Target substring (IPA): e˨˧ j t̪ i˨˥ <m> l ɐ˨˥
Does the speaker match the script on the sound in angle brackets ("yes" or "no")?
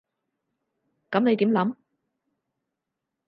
yes